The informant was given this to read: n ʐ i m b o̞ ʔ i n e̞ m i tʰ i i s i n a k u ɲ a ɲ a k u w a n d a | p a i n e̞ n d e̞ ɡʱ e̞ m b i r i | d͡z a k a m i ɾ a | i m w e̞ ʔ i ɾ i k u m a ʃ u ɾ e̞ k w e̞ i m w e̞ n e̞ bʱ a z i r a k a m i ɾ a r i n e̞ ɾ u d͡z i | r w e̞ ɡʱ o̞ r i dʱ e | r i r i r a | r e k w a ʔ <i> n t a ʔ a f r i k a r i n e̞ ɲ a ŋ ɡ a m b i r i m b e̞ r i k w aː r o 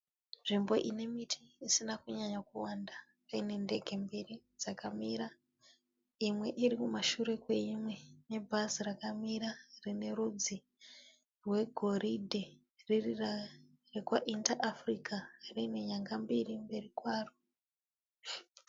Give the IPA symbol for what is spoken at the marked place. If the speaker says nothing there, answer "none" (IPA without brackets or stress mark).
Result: i